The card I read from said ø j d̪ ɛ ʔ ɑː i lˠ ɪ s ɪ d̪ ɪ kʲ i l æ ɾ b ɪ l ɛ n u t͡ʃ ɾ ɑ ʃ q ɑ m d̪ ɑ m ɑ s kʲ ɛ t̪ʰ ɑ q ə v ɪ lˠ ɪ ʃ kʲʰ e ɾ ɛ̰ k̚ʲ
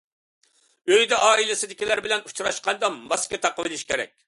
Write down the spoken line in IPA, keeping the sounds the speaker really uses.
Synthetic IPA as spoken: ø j d̪ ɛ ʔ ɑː i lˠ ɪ s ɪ d̪ ɪ kʲ i l æ ɾ b ɪ l ɛ n u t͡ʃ ɾ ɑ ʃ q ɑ n d̪ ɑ m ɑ s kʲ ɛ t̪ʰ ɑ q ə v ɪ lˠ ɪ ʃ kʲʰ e ɾ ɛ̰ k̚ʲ

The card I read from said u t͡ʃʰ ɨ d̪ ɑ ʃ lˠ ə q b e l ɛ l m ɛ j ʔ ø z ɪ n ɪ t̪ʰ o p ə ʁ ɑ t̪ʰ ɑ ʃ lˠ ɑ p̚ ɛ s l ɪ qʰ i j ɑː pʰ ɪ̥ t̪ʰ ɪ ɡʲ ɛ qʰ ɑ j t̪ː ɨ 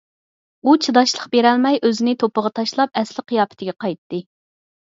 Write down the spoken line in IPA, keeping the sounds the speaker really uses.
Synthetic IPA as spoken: u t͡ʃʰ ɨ d̪ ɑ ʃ lˠ ə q b e ɾ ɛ l m ɛ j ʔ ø z ɪ n ɪ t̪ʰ o p ə ʁ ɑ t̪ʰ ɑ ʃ lˠ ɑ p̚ ɛ s l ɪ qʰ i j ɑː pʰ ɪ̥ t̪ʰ ɪ ɡʲ ɛ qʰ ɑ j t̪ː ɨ

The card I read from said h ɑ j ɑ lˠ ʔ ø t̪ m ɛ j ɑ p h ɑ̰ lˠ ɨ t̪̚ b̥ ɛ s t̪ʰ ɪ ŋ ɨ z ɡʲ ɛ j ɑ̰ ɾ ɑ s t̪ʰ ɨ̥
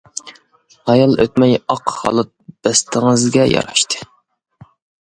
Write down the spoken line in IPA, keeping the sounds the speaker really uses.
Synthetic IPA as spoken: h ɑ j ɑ lˠ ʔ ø t̪ m ɛ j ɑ q h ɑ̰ lˠ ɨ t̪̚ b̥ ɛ s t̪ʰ ɪ ŋ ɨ z ɡʲ ɛ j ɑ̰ ɾ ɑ ʃ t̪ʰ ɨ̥

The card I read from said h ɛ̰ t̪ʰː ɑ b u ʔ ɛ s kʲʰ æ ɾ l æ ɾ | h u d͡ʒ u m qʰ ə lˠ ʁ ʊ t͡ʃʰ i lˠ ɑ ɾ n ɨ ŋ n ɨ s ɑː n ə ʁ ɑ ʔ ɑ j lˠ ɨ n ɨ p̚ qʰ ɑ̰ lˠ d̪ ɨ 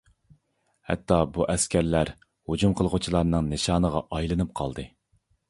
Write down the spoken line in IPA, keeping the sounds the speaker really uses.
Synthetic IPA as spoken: h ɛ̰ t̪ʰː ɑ b u ʔ ɛ s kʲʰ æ ɾ l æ ɾ | h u d͡ʒ u m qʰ ə lˠ ʁ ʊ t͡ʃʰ i lˠ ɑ ɾ n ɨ ŋ n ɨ ʃ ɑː n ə ʁ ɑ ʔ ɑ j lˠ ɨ n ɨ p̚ qʰ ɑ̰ lˠ d̪ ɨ

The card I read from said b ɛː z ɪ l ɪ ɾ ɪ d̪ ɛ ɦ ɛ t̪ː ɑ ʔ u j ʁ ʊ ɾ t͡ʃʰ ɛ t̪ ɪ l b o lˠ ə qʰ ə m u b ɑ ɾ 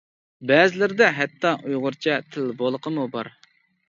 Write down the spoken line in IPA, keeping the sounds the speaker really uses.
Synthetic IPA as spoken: b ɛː z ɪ l ɪ ɾ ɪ d̪ ɛ ɦ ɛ t̪ː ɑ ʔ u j ʁ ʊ ɾ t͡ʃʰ ɛ t̪ʰ ɪ l b o lˠ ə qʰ ə m u b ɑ ɾ

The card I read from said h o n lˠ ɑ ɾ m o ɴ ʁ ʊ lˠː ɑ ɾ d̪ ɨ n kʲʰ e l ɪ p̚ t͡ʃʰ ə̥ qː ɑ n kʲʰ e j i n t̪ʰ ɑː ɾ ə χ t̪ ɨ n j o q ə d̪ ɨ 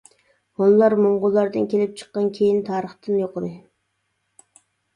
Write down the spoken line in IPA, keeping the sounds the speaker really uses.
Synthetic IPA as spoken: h o n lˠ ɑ ɾ m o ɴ ʁ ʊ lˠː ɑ ɾ d̪ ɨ n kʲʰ e l ɪ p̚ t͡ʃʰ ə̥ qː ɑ n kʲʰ e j i n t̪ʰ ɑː ɾ ə χ t̪ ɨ n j o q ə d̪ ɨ

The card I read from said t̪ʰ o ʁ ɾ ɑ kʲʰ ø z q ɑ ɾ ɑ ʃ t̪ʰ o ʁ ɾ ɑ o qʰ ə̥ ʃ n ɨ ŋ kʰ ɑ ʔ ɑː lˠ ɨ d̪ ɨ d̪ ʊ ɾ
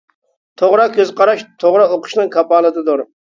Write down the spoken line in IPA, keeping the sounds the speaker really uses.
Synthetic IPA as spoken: t̪ʰ o ʁ ɾ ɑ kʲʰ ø z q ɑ ɾ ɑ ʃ t̪ʰ o ʁ ɾ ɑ o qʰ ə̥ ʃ n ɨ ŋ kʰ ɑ p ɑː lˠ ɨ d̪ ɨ d̪ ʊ ɾ

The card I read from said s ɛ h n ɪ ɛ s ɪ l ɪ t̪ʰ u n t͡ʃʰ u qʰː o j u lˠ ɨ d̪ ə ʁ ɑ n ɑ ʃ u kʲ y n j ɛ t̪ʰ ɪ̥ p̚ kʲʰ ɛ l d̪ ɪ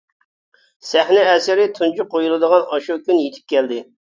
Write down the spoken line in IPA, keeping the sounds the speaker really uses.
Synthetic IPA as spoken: s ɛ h n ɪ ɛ s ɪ ɾ ɪ t̪ʰ u n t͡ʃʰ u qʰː o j u lˠ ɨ d̪ ə ʁ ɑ n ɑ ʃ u kʲ y n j e t̪ʰ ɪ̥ p̚ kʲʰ ɛ l d̪ ɪ

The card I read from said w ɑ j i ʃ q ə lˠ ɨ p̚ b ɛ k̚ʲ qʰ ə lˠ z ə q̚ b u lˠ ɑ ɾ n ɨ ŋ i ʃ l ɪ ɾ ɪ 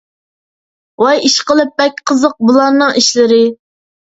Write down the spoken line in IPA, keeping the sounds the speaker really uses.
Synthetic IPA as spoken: w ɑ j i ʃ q ə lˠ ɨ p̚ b ɛ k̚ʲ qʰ ə z ə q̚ b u lˠ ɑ ɾ n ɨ ŋ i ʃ l ɪ ɾ ɪ

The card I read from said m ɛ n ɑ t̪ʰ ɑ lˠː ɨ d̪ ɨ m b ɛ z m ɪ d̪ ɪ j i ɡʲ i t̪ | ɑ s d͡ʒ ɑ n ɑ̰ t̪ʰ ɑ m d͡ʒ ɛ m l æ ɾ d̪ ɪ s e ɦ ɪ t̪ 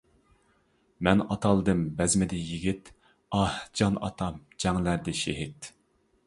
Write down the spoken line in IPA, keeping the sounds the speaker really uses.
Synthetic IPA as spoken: m ɛ n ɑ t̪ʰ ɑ lˠ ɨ d̪ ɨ m b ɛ z m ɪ d̪ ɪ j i ɡʲ i t̪ | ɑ h d͡ʒ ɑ n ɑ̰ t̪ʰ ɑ m d͡ʒ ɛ ŋ l æ ɾ d̪ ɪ ʃ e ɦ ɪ t̪

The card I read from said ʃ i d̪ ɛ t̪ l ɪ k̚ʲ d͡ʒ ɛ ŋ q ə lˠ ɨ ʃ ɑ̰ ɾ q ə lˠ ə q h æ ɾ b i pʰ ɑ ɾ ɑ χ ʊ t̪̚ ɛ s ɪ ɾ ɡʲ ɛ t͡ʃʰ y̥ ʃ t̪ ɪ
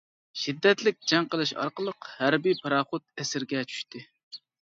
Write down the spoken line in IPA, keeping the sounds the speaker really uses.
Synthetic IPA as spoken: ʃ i d̪ː ɛ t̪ l ɪ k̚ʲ d͡ʒ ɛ ŋ q ə lˠ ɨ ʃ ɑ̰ ɾ q ə lˠ ə q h æ ɾ b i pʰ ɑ ɾ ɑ χ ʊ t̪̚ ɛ s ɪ ɾ ɡʲ ɛ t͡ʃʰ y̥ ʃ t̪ ɪ

